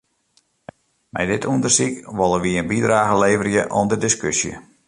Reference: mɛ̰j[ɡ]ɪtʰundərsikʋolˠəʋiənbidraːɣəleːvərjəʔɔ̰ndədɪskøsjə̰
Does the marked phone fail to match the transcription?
yes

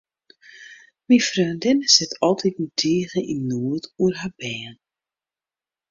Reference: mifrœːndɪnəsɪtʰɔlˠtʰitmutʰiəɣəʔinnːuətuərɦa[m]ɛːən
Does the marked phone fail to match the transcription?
yes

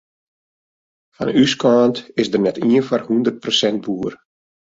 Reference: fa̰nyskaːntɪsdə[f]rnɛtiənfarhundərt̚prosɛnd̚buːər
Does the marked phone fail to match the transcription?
yes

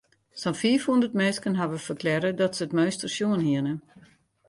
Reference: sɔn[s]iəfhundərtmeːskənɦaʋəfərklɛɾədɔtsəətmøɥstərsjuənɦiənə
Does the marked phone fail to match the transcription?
yes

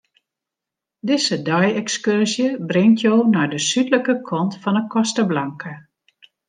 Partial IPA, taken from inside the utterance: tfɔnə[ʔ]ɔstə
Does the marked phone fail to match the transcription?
yes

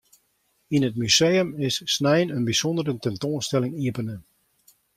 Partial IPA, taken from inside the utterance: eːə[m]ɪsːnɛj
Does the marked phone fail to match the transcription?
no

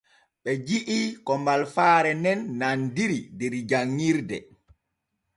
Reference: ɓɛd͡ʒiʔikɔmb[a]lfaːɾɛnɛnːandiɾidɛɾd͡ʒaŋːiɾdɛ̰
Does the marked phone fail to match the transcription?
no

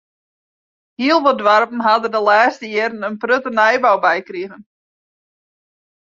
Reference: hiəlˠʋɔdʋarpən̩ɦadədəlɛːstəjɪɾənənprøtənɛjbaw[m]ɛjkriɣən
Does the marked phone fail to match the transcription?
yes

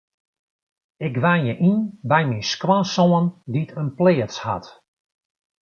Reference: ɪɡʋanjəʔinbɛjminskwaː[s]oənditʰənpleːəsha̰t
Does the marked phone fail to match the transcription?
no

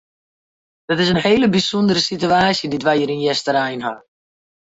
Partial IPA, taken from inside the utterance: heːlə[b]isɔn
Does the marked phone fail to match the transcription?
no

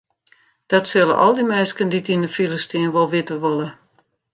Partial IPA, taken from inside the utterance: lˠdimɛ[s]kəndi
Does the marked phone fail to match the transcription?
no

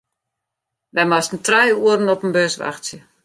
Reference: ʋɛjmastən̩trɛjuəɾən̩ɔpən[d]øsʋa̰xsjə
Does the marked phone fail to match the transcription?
yes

